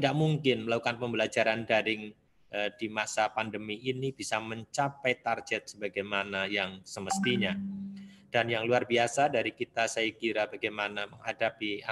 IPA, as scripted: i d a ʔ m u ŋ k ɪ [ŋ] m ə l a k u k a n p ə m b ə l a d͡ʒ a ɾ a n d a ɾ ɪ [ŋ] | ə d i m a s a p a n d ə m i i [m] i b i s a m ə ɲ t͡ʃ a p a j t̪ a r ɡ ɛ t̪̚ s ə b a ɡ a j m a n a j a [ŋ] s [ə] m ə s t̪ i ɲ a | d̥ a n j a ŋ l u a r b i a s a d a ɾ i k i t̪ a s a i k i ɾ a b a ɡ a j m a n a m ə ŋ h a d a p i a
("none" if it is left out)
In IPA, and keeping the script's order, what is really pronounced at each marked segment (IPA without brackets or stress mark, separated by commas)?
n, ŋ, n, ŋ, ə